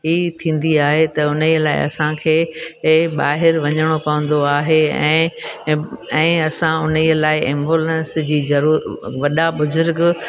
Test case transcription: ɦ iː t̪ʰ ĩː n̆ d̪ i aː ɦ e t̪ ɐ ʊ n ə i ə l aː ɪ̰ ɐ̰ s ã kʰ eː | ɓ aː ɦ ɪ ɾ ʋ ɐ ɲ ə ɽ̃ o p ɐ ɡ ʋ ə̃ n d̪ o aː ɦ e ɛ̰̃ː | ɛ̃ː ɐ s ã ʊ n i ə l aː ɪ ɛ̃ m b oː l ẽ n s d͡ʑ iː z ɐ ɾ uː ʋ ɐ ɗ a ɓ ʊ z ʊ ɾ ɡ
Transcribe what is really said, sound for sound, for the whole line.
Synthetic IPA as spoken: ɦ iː t̪ʰ ĩː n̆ d̪ i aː ɦ e t̪ ɐ ʊ n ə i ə l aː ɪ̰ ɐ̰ s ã kʰ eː | ɓ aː ɦ ɪ ɾ ʋ ɐ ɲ ə ɽ̃ o p ɐ ʋ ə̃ n d̪ o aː ɦ e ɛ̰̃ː | ɛ̃ː ɐ s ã ʊ n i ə l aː ɪ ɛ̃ m b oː l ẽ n s d͡ʑ iː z ɐ ɾ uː ʋ ɐ ɗ a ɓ ʊ z ʊ ɾ ɡ